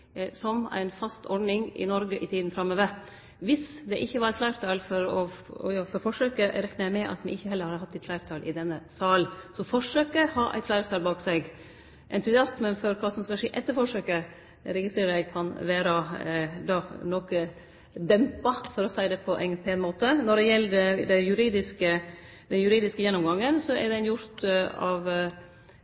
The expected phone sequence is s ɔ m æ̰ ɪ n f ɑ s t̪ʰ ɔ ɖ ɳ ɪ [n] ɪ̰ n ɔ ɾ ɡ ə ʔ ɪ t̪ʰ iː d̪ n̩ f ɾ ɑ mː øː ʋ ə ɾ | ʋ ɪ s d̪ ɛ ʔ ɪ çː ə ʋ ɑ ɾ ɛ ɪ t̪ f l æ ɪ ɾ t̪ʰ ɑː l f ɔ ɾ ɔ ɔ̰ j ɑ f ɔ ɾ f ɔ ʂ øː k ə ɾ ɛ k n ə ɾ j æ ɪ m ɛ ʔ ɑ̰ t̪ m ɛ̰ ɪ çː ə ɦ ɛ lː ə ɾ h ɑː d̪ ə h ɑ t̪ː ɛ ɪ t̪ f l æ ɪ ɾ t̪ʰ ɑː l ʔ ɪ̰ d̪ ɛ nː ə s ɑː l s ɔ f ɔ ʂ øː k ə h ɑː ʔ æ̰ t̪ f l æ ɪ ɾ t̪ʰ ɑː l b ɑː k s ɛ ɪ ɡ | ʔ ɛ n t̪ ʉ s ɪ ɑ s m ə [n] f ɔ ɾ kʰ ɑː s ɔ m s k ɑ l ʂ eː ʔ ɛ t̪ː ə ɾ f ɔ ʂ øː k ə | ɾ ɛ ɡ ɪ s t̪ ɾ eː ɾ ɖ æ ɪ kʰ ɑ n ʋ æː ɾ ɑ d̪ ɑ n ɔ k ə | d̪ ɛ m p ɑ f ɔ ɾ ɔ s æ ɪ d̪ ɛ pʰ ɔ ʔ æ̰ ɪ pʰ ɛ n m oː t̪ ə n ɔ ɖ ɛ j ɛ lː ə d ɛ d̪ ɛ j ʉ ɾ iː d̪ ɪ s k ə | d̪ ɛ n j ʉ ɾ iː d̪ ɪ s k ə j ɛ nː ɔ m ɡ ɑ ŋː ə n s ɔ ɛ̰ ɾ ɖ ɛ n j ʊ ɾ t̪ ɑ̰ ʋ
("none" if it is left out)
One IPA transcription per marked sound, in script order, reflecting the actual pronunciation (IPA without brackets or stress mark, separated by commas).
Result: ŋ, n